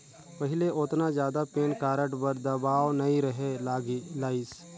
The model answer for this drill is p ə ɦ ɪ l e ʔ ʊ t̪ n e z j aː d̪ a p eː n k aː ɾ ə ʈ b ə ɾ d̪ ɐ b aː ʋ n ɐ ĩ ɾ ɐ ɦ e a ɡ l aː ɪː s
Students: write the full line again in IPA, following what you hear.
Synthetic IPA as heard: p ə ɦ ɪ l e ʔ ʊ t̪ n a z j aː d̪ a p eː n k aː ɾ ə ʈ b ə ɾ d̪ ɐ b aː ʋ n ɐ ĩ ɾ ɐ ɦ e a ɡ l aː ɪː s